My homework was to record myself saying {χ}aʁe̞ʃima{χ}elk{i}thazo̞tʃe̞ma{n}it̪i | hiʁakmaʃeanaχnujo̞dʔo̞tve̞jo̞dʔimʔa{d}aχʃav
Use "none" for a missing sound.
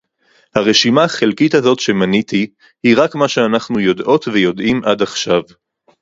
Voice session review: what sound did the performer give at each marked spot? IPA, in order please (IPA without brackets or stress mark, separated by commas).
h, χ, i, n, d